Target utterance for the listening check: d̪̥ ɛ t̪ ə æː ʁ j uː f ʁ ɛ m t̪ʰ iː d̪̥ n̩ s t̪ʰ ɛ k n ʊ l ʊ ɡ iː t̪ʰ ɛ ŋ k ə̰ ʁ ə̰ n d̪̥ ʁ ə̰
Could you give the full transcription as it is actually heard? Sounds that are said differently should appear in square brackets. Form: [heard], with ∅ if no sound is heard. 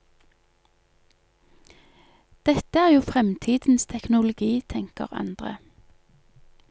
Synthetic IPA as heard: d̪̥ ɛ t̪ ə æː ʁ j uː f ʁ ɛ m t̪ʰ iː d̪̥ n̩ s t̪ʰ ɛ k n ʊ l ʊ ɡ iː t̪ʰ ɛ ŋ k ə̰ ʁ [ɑ̰] n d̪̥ ʁ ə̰